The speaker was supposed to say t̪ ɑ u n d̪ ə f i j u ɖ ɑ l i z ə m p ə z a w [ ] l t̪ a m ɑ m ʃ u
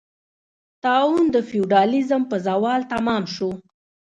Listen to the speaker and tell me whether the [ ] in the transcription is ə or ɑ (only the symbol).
ɑ